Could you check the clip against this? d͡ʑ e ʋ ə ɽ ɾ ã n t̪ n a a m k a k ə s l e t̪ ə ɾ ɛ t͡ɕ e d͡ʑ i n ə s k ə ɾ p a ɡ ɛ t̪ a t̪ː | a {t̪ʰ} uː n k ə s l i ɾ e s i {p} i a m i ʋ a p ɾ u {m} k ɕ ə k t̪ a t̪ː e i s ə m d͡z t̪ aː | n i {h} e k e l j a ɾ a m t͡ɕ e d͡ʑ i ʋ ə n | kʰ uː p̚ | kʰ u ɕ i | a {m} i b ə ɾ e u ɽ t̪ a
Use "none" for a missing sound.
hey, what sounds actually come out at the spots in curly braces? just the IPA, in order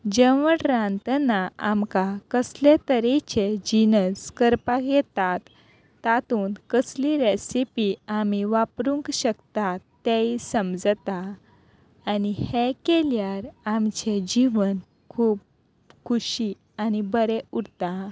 t̪, p, ŋ, h, n

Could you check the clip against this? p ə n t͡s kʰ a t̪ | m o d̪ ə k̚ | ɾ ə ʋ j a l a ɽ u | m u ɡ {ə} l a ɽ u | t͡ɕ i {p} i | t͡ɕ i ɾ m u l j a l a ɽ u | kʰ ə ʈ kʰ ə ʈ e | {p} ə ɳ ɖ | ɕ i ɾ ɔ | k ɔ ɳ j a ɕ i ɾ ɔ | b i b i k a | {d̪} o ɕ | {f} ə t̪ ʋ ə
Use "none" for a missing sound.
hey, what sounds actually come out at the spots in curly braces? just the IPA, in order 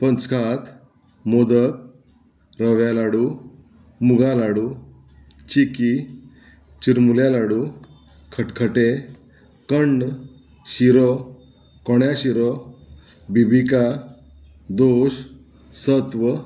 a, k, k, d̪, s

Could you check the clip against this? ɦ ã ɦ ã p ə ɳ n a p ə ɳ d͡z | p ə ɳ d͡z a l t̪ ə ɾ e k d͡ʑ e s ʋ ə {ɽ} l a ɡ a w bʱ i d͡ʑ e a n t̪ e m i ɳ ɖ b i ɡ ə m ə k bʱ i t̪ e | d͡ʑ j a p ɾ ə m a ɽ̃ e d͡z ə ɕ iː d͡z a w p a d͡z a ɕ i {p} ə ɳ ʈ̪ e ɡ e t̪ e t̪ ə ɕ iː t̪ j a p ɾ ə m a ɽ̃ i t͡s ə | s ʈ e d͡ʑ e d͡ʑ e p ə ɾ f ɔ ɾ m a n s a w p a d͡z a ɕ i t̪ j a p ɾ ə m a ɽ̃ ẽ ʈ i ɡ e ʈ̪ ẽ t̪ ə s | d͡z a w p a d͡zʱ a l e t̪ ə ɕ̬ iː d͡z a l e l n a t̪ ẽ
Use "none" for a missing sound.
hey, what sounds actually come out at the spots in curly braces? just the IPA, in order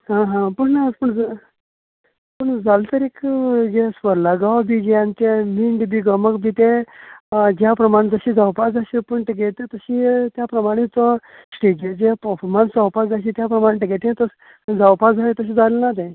ɾ, p

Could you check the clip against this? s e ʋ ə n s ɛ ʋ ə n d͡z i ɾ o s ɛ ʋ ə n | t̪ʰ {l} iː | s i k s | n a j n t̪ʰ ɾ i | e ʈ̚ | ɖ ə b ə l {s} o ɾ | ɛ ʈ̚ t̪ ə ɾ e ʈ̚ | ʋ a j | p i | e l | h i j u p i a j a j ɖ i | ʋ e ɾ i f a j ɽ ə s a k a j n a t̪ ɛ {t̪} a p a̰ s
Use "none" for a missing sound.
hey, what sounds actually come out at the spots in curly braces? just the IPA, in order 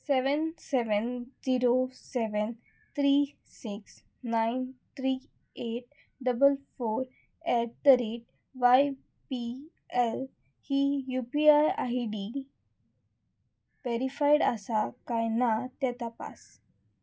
ɾ, f, t̪

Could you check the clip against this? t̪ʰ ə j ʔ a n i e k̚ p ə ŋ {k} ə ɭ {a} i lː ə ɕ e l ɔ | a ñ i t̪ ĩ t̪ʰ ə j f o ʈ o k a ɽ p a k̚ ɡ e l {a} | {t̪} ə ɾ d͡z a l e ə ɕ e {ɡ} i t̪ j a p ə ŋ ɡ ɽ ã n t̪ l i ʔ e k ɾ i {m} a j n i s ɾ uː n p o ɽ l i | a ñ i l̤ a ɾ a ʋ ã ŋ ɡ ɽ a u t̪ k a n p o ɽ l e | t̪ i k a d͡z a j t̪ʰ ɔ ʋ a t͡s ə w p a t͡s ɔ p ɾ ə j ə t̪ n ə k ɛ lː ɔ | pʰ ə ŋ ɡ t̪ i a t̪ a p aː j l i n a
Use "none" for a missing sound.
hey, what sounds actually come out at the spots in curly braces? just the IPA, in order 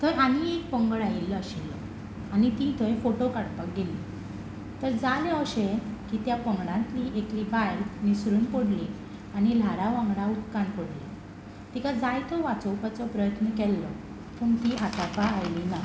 ɡ, a, i, t̪, k, b

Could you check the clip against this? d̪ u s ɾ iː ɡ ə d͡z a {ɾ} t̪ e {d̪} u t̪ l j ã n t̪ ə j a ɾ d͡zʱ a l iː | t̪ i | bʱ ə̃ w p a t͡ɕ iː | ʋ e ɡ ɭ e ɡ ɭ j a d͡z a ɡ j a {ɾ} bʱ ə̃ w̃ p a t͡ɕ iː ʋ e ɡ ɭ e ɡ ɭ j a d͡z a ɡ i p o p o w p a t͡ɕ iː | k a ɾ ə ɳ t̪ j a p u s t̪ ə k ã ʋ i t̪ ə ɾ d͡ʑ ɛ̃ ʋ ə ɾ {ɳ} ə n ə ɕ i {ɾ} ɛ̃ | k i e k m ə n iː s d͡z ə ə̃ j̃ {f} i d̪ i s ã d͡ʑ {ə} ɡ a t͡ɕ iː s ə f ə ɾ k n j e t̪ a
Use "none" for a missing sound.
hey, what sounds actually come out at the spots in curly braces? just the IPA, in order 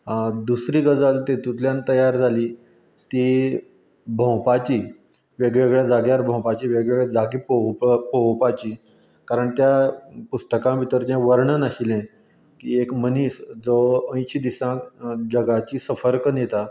l, t̪, ɾ, ɳ, l, ɕ, ə

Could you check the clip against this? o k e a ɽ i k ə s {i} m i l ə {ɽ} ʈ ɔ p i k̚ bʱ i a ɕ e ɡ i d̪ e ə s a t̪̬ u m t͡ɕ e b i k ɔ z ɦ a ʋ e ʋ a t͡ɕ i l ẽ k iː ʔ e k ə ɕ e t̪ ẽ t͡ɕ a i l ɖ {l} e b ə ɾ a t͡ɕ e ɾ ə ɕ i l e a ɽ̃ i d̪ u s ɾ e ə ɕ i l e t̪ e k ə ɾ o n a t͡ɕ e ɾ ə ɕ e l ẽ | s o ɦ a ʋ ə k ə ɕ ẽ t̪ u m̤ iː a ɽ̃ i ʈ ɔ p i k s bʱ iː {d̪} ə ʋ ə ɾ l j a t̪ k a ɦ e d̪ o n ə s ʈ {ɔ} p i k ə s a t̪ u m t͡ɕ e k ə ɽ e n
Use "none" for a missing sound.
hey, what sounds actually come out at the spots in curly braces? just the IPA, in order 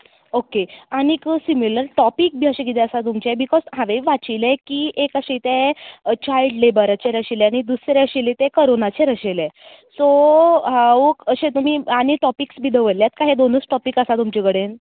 i, ɾ, l, d̪, ɔ

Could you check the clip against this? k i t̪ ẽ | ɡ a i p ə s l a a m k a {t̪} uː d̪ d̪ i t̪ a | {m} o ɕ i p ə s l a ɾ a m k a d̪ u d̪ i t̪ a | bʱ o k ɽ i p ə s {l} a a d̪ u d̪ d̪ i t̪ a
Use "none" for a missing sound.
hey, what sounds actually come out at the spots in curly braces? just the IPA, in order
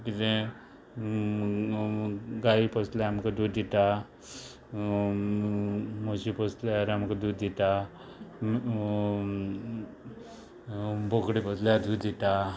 d̪, m, l

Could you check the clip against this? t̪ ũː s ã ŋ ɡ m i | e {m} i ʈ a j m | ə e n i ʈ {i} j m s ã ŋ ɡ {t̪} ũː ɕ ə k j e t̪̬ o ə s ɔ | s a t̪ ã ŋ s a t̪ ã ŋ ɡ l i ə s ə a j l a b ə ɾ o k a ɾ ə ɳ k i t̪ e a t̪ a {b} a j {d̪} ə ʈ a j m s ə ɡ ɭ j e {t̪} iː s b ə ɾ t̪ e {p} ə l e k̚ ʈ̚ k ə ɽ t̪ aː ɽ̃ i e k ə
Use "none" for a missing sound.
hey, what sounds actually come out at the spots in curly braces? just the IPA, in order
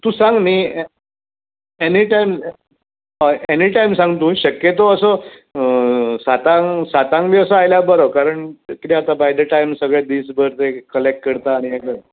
n, a, t̪, b, d̪, d̪, k

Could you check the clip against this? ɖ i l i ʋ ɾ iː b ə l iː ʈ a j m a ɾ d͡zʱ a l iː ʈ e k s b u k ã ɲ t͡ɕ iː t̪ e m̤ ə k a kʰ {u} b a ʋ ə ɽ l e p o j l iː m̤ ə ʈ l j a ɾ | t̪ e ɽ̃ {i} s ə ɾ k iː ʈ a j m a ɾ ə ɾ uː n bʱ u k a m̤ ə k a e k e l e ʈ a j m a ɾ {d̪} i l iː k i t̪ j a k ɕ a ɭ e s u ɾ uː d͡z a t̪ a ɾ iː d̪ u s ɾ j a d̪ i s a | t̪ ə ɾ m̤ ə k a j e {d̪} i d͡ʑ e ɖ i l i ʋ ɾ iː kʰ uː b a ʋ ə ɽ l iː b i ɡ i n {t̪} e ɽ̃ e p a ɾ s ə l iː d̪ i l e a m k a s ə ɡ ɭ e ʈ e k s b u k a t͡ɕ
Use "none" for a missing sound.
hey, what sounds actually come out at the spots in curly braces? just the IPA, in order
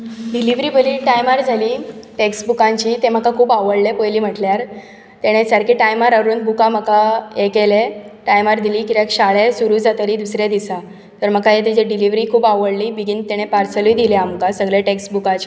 uː, e, d̪, t̪, t̪

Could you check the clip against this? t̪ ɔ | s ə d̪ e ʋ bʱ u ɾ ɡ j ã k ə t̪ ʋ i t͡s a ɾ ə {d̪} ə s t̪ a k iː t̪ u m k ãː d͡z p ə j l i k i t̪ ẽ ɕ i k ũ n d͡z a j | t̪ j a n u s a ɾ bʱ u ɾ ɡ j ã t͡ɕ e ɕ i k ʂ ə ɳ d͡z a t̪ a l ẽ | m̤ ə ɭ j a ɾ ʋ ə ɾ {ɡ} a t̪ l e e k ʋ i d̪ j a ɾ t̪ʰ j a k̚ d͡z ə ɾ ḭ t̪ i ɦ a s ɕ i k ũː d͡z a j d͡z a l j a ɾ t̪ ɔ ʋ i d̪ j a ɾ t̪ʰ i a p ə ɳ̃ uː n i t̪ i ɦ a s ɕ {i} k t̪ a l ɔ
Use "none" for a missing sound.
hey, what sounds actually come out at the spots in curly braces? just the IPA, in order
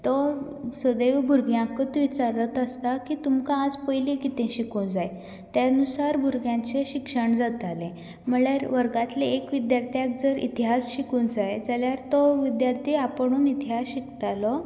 t̪, ɡ, i

